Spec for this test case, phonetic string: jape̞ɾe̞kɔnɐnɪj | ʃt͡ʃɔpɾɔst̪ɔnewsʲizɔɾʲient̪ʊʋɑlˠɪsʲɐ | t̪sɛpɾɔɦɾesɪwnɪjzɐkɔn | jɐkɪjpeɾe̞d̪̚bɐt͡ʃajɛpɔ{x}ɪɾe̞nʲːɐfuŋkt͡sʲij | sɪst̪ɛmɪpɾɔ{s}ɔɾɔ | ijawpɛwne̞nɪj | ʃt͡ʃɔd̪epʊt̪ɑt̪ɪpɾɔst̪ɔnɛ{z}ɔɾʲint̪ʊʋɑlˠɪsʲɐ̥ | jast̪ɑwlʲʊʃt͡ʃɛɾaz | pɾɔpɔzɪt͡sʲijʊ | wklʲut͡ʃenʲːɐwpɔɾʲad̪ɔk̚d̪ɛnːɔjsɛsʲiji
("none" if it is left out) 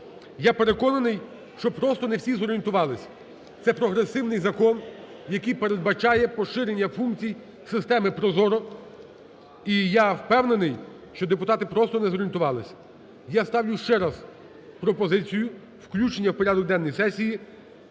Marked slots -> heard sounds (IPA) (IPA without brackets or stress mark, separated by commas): ʃ, z, z